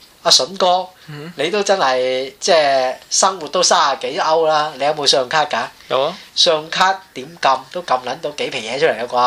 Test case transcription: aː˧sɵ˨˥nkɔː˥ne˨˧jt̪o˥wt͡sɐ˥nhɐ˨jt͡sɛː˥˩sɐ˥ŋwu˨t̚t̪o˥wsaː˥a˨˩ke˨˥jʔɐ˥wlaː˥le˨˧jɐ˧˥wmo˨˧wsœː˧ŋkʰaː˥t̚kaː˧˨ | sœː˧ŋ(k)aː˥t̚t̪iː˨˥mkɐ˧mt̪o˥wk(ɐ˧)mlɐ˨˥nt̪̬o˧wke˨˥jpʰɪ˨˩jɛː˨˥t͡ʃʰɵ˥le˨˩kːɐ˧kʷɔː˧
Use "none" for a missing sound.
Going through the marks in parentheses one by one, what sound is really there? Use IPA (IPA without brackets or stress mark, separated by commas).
kʰ, ɐ˧